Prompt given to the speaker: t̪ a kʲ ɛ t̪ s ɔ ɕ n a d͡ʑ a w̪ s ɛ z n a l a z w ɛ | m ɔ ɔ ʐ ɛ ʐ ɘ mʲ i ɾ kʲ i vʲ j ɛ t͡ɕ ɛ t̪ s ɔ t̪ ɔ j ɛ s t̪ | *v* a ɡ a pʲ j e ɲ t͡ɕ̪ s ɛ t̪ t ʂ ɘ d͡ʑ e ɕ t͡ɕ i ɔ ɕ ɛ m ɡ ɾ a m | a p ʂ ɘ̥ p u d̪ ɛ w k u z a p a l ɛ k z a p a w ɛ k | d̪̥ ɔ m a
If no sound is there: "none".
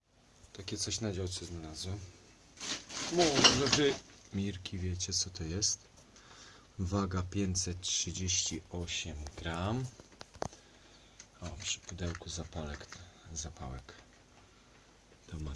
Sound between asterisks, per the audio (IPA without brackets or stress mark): v